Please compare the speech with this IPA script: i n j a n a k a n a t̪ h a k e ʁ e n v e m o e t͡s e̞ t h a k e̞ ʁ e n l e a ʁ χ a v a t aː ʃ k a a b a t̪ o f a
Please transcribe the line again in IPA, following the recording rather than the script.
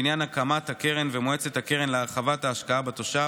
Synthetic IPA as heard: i n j a n a k a m a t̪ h a k e ʁ e n v e m o e t͡s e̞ t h a k e̞ ʁ e n l e a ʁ χ a v a t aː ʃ k a a b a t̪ o ʃ a